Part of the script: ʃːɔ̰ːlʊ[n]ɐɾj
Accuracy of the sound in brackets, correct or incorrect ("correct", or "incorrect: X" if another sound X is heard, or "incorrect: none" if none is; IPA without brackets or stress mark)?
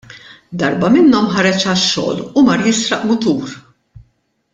incorrect: m